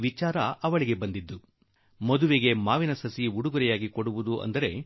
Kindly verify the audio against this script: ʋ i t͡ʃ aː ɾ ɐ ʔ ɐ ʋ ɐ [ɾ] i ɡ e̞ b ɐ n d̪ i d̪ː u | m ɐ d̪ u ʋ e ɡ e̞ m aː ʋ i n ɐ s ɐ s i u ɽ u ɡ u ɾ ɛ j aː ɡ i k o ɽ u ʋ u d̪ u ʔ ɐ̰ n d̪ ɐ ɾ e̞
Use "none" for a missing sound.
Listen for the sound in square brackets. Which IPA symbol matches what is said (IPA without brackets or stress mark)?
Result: ɭ